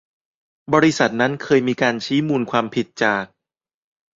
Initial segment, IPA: b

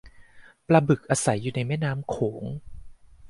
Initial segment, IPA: p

